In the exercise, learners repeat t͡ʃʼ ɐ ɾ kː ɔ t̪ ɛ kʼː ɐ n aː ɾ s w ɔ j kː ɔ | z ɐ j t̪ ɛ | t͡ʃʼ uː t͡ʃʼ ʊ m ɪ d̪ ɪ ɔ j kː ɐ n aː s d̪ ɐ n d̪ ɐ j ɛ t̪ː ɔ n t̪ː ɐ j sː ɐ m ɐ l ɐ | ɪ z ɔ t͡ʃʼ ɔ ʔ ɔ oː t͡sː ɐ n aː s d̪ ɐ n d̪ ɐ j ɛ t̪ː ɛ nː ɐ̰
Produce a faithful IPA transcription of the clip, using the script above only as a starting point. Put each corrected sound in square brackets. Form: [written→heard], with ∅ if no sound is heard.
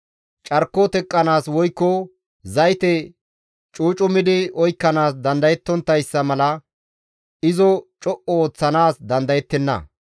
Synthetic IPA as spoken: t͡ʃʼ ɐ ɾ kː ɔ t̪ ɛ kʼː ɐ n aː [ɾ→∅] s w ɔ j kː ɔ | z ɐ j t̪ ɛ | t͡ʃʼ uː t͡ʃʼ ʊ m ɪ d̪ ɪ ɔ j kː ɐ n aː s d̪ ɐ n d̪ ɐ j ɛ t̪ː ɔ n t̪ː ɐ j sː ɐ m ɐ l ɐ | ɪ z ɔ t͡ʃʼ ɔ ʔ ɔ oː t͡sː ɐ n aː s d̪ ɐ n d̪ ɐ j ɛ t̪ː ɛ nː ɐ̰

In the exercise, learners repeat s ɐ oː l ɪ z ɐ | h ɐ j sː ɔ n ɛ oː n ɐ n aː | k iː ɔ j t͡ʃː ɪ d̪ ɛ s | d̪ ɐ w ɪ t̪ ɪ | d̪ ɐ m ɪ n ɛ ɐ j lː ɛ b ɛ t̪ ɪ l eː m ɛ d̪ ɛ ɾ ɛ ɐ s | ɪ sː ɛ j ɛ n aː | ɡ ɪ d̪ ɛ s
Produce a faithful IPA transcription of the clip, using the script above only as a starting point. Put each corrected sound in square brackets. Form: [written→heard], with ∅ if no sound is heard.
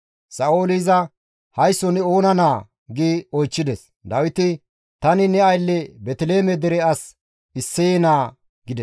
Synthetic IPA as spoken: s ɐ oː l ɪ z ɐ | h ɐ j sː ɔ n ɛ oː n ɐ n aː | [k→ɡ] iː ɔ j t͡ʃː ɪ d̪ ɛ s | d̪ ɐ w ɪ t̪ ɪ | [d̪→t̪] ɐ [m→n] ɪ n ɛ ɐ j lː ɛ b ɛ t̪ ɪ l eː m ɛ d̪ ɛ ɾ ɛ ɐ s | ɪ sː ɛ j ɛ n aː | ɡ ɪ d̪ ɛ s

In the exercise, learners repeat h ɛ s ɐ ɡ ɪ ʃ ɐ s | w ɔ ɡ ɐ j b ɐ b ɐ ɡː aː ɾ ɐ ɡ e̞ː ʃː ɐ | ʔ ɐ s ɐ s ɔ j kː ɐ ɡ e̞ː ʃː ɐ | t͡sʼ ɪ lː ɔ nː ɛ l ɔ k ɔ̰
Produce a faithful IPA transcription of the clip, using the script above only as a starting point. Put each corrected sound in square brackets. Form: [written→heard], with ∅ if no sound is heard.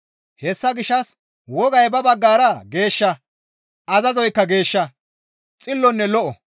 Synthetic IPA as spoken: h ɛ [s→sː] ɐ ɡ ɪ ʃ ɐ s | w ɔ ɡ ɐ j b ɐ b ɐ ɡː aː ɾ ɐ ɡ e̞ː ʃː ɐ | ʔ ɐ [s→z] ɐ [s→z] ɔ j kː ɐ ɡ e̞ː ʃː ɐ | t͡sʼ ɪ lː ɔ nː ɛ l ɔ [k→ʔ] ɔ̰

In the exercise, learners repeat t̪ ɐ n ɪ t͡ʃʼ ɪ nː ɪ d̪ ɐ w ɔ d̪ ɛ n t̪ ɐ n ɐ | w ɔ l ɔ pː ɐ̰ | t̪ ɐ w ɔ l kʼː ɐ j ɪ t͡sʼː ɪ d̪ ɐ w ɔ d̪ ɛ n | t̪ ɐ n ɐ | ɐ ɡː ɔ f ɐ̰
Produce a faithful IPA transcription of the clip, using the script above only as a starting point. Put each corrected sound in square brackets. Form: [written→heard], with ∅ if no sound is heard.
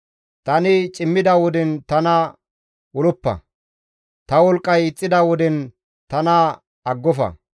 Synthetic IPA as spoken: t̪ ɐ n ɪ t͡ʃʼ ɪ [nː→mː] ɪ d̪ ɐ w ɔ d̪ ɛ n t̪ ɐ n ɐ | w ɔ l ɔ pː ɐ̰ | t̪ ɐ w ɔ l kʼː ɐ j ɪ t͡sʼː ɪ d̪ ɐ w ɔ d̪ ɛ n | t̪ ɐ n ɐ | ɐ ɡː ɔ f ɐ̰

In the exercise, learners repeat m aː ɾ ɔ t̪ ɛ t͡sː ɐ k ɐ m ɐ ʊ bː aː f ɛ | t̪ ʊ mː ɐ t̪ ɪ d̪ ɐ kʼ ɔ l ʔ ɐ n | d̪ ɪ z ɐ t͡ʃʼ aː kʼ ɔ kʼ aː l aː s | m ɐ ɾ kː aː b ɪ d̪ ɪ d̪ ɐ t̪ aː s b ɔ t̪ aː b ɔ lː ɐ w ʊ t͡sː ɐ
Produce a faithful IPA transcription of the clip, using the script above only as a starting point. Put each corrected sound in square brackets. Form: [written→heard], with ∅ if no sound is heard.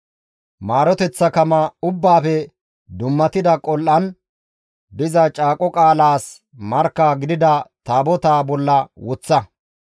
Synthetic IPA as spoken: m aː ɾ ɔ t̪ ɛ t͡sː ɐ k ɐ m ɐ ʊ bː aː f ɛ | [t̪→d̪] ʊ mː ɐ t̪ ɪ d̪ ɐ kʼ ɔ l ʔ ɐ n | d̪ ɪ z ɐ t͡ʃʼ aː kʼ ɔ kʼ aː l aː s | m ɐ ɾ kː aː [b→ɡ] ɪ d̪ ɪ d̪ ɐ t̪ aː [s→∅] b ɔ t̪ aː b ɔ lː ɐ w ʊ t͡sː ɐ

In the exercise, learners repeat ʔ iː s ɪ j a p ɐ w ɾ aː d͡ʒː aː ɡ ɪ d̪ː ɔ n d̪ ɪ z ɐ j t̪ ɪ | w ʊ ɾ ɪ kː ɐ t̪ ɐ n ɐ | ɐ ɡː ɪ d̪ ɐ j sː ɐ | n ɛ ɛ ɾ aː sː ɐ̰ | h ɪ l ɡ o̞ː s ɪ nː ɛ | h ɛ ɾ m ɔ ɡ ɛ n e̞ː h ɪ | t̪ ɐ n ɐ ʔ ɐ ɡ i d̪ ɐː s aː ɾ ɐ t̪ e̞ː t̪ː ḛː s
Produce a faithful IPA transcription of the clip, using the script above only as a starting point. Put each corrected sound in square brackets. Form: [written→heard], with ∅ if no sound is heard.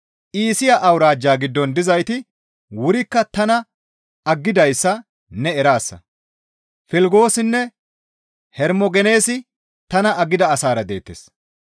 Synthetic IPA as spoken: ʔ iː s ɪ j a [p→ʔ] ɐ w ɾ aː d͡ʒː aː ɡ ɪ d̪ː ɔ n d̪ ɪ z ɐ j t̪ ɪ | w ʊ ɾ ɪ kː ɐ t̪ ɐ n ɐ | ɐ ɡː ɪ d̪ ɐ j sː ɐ | n ɛ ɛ ɾ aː sː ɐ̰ | [h→f] ɪ l ɡ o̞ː s ɪ nː ɛ | h ɛ ɾ m ɔ ɡ ɛ n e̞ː [h→s] ɪ | t̪ ɐ n ɐ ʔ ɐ ɡ [i→ɪ] d̪ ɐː s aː ɾ ɐ [t̪→d̪] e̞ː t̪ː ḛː s

